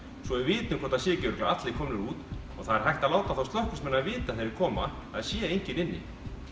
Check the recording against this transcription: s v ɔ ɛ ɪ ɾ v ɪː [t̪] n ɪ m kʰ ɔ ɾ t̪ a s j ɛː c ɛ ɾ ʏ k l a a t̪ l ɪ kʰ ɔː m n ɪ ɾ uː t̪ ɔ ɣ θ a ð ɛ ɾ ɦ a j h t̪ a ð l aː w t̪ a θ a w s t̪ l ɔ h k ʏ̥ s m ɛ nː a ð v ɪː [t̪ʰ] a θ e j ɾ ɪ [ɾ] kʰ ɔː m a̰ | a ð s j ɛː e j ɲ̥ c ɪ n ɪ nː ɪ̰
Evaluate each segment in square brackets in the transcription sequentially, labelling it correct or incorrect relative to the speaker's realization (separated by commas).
correct, incorrect, correct